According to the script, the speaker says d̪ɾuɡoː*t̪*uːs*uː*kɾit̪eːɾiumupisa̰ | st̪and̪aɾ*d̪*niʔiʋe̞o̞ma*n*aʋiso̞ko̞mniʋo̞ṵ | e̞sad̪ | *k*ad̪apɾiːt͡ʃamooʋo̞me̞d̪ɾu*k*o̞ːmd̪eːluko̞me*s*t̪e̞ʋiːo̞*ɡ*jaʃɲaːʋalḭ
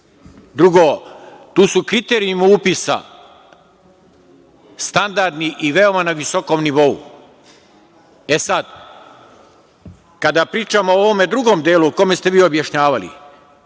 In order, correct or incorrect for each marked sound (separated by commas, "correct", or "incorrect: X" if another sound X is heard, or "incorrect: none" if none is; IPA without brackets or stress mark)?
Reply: correct, incorrect: u, correct, correct, correct, incorrect: ɡ, correct, incorrect: b